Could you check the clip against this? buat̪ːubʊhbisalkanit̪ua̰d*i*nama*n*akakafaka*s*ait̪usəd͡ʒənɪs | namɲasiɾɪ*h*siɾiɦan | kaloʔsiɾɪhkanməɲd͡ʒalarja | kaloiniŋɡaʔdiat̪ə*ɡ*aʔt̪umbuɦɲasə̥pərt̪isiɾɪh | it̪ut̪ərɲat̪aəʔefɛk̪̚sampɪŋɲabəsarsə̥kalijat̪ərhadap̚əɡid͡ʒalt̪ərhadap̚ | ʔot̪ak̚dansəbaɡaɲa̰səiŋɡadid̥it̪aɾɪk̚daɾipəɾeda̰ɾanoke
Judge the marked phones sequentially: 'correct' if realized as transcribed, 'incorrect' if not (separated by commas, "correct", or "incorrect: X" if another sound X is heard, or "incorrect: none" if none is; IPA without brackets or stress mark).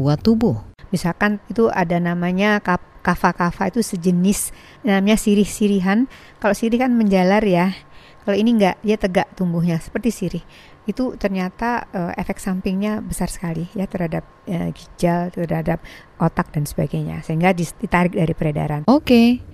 incorrect: a, incorrect: ɲ, incorrect: f, correct, correct